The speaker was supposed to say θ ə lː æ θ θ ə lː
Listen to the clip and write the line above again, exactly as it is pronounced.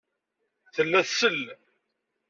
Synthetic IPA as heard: θ ə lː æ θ s ə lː